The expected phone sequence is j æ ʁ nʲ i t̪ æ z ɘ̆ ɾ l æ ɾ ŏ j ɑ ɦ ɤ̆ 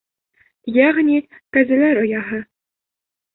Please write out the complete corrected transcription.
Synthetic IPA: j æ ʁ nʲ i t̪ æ z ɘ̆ l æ ɾ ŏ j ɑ ɦ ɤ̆